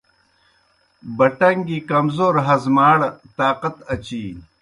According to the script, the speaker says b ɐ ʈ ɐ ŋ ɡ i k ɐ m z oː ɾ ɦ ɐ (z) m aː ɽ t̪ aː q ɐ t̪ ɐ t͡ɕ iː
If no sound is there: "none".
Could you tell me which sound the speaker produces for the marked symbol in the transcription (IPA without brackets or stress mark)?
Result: z